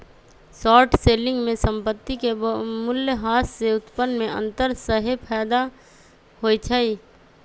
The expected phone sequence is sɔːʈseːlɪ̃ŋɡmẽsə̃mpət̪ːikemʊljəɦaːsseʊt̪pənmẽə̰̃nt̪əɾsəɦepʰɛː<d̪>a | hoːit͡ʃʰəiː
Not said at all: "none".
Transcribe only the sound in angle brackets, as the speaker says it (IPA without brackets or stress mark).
d̪